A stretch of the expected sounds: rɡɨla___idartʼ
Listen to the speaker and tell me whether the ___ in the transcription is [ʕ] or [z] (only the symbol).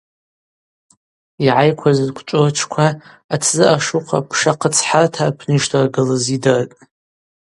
z